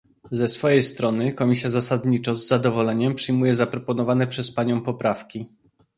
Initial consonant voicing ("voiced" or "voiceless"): voiced